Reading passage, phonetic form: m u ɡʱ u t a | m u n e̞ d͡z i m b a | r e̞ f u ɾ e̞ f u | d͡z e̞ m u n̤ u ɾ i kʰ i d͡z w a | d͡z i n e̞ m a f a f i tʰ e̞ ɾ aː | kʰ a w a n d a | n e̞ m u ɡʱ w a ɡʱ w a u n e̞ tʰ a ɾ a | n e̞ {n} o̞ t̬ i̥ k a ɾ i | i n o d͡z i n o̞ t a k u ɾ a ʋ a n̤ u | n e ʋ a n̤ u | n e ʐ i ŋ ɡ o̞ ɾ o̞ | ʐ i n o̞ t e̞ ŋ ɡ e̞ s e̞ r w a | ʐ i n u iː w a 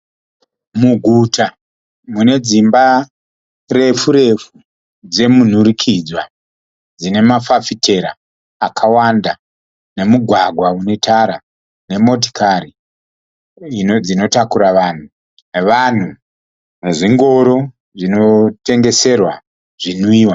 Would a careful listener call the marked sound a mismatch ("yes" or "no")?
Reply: yes